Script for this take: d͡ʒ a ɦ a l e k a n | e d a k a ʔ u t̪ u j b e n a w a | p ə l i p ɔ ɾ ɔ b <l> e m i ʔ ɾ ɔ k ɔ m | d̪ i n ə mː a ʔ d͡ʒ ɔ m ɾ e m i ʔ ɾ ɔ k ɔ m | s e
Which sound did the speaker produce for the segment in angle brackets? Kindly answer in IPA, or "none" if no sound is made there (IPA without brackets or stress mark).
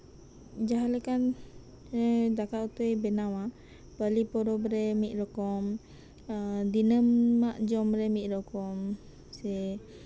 ɾ